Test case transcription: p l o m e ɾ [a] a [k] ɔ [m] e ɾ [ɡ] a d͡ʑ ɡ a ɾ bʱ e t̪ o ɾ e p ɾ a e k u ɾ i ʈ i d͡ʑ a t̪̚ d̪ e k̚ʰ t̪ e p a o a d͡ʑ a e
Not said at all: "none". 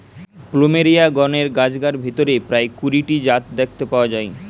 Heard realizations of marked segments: i, ɡ, n, ɡ

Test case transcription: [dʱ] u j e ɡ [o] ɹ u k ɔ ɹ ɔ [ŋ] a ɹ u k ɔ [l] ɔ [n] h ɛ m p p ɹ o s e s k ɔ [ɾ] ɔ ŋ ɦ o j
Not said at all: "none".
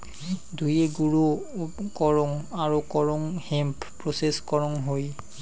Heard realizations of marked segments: dʱ, u, ŋ, ɹ, ŋ, ɹ

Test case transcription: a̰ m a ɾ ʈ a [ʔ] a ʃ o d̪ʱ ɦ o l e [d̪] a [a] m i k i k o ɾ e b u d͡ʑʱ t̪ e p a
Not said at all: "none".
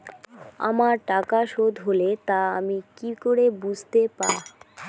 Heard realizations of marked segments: k, t̪, a

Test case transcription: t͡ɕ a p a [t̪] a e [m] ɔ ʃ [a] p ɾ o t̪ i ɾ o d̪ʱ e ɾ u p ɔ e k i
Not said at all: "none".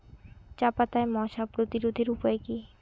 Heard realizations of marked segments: t̪, m, a

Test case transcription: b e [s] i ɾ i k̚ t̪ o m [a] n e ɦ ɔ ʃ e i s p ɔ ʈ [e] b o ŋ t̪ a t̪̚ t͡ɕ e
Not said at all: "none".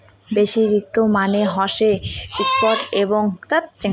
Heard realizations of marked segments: ʃ, a, e

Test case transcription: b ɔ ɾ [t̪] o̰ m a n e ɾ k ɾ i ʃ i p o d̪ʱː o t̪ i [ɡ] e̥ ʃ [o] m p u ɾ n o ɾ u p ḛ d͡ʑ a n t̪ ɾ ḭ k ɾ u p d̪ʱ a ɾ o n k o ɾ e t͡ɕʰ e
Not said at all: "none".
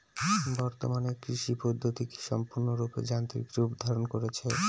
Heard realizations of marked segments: t̪, k, ɔ

